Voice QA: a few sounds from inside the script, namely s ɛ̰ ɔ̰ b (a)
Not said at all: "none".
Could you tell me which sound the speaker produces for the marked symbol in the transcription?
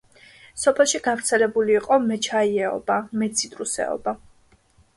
a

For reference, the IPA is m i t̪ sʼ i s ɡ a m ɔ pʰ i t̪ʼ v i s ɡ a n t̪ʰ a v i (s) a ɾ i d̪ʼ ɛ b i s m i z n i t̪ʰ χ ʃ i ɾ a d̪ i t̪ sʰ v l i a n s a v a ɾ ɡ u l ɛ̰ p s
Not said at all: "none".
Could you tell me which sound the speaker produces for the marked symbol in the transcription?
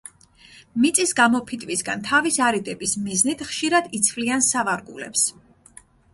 s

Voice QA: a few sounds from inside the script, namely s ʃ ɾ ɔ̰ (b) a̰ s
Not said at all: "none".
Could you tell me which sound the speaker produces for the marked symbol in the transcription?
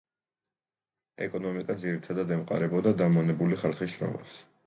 m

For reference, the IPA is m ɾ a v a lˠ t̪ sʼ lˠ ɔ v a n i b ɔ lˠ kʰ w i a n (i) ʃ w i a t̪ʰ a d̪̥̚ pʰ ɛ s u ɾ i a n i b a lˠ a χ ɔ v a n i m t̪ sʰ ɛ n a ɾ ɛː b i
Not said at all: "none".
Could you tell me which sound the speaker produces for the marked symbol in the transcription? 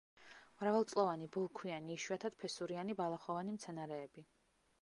iː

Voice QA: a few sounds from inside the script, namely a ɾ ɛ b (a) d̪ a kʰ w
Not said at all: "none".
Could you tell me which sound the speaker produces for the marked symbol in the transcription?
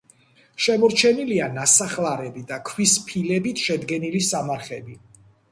i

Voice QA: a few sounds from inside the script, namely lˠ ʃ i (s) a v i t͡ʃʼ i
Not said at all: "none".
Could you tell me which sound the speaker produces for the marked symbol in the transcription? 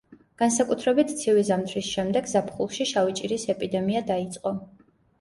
ʃ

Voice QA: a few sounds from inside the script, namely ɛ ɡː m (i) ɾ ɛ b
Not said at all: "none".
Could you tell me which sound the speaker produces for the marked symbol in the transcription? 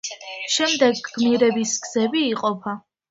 i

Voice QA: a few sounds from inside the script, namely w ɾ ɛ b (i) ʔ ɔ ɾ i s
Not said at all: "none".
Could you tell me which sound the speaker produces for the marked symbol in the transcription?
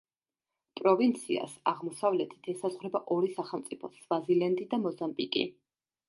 a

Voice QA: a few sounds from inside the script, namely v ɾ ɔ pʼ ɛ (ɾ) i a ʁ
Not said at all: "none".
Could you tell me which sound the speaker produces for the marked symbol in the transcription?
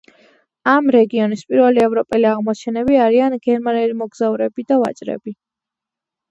l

